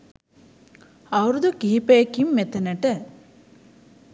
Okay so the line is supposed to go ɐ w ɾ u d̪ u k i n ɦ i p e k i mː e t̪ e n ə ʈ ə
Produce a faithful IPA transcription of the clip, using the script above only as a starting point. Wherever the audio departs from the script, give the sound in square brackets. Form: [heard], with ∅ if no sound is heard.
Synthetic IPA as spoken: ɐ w ɾ u d̪ u k i [∅] ɦ i p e k i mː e t̪ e n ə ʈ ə

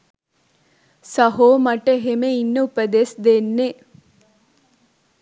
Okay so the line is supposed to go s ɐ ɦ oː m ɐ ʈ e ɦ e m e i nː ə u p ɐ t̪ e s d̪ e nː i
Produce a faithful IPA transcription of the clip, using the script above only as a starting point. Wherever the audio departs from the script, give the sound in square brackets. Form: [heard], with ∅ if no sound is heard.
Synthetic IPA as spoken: s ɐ ɦ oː m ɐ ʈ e ɦ e m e i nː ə u p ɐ [d̪] e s d̪ e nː [e]

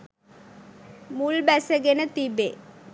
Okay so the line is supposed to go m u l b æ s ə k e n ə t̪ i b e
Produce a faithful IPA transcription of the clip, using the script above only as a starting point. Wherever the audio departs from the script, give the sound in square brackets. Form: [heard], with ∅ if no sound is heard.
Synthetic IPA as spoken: m u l b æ s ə [ɡ] e n ə t̪ i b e

